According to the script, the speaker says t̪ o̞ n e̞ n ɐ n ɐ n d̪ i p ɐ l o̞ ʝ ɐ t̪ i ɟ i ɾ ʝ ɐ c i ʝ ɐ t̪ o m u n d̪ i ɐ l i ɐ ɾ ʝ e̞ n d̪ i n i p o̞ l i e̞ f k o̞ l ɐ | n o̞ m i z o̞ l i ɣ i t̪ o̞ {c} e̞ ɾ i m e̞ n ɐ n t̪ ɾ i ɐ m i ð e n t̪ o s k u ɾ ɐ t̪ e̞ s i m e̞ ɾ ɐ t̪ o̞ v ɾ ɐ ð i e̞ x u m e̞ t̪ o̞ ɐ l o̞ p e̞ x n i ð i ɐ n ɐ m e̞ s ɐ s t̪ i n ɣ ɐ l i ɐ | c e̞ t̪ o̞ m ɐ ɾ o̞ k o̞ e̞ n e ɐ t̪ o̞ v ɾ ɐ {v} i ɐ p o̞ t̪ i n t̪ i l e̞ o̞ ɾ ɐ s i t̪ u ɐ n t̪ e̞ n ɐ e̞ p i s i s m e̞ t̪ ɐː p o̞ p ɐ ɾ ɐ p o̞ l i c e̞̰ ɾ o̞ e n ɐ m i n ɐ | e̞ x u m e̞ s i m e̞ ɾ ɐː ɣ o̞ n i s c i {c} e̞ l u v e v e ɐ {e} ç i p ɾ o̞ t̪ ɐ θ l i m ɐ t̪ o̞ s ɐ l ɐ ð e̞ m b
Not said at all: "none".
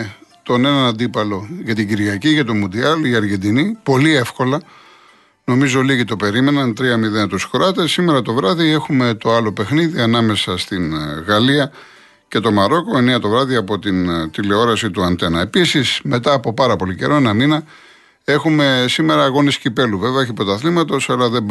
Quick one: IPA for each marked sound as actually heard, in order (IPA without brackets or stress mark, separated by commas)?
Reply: p, ð, p, e